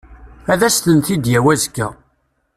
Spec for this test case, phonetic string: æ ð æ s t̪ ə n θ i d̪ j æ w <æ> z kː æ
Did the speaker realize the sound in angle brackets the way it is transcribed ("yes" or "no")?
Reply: yes